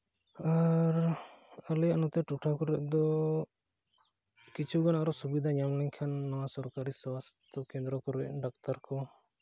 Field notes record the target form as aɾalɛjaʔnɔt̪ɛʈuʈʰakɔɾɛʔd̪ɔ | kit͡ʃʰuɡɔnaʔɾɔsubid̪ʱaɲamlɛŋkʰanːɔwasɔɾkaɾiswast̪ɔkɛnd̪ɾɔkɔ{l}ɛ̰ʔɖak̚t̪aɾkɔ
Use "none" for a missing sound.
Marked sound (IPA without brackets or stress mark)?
ɾ